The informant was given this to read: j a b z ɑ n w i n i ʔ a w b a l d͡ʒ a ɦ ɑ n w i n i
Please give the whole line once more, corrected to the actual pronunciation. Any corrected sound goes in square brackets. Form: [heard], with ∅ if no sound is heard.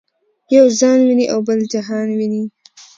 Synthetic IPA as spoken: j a [w] z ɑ n w i n i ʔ a w b [ə] l d͡ʒ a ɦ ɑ n w i n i